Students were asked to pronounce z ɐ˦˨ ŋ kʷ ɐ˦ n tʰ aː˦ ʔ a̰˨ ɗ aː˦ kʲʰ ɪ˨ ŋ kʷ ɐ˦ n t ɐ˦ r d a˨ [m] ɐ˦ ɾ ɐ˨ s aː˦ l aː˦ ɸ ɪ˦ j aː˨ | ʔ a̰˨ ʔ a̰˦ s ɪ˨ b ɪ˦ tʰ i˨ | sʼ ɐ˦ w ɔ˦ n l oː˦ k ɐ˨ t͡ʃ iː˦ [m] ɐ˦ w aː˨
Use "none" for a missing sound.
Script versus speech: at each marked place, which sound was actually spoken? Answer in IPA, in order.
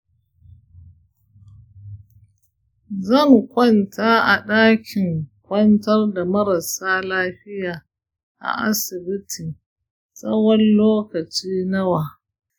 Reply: m, n

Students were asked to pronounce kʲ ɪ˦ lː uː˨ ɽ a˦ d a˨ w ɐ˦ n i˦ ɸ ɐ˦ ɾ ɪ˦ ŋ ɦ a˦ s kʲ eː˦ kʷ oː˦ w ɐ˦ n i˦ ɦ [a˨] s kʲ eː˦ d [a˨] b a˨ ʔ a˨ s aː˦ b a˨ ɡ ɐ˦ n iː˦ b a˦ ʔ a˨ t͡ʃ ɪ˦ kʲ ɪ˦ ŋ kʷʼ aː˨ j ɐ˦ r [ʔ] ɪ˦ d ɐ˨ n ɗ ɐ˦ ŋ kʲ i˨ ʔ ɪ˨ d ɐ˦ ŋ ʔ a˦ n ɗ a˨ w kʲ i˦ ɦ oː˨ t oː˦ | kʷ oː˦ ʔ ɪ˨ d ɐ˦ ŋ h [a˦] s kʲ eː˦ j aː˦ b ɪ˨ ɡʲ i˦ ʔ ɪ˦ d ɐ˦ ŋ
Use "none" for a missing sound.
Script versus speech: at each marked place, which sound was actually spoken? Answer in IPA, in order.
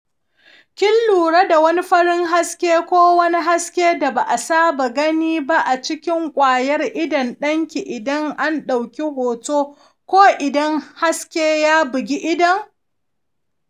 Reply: a˦, a˨, ʔ, a˦

